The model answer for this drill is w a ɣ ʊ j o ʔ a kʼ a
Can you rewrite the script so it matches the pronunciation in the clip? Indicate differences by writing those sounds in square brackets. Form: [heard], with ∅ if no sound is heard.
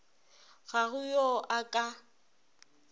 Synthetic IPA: [ɣ] a ɣ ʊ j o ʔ a kʼ a